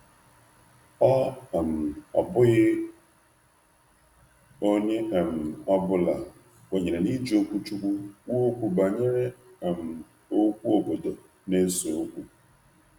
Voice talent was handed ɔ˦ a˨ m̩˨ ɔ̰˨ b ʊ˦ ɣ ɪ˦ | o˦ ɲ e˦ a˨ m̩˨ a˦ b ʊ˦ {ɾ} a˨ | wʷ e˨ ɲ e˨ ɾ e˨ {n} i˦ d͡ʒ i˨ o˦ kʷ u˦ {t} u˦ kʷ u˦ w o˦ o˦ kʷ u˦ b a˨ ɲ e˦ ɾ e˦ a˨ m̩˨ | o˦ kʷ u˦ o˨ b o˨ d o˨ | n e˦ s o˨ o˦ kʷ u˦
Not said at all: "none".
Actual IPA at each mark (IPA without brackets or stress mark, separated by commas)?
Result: l, n, t͡ʃ